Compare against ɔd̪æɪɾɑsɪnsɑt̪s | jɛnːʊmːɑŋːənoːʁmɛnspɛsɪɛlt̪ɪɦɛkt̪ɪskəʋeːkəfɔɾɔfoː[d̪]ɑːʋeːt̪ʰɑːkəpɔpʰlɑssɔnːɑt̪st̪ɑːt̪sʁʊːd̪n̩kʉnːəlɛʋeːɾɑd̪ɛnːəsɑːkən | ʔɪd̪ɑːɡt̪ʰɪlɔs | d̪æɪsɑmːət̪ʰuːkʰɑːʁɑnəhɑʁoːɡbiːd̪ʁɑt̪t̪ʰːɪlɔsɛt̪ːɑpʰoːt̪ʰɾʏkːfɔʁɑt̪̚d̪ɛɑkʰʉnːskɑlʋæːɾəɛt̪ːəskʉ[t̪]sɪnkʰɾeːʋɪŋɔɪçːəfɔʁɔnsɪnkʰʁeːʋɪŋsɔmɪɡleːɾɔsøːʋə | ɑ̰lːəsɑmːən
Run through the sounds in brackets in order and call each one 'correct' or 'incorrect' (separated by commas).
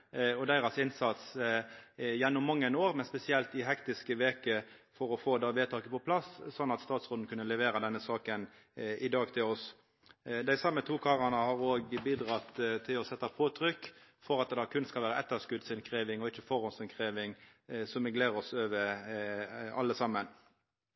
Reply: correct, incorrect